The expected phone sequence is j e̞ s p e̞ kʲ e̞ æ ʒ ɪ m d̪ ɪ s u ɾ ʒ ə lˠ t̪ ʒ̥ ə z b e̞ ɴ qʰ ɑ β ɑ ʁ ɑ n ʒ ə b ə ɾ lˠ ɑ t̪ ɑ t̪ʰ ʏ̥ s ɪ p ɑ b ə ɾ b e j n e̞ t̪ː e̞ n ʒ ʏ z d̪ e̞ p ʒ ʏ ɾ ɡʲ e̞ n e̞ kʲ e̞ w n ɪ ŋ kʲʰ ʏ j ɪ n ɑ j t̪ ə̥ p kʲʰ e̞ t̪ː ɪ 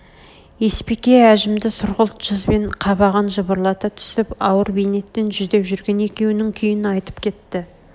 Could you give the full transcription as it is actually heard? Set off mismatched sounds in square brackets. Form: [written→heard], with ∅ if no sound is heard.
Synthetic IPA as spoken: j e̞ s p e̞ kʲ e̞ æ ʒ ɪ m d̪ ɪ s [u→ʊ] ɾ [ʒ→ʁ] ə lˠ t̪ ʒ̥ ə z b e̞ ɴ qʰ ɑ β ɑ ʁ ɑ n ʒ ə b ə ɾ lˠ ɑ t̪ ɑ t̪ʰ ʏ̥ s ɪ p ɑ [b→w] ə ɾ b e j n e̞ t̪ː e̞ n ʒ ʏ z d̪ e̞ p ʒ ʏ ɾ ɡʲ e̞ n e̞ kʲ e̞ w n ɪ ŋ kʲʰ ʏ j ɪ n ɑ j t̪ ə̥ p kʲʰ e̞ t̪ː ɪ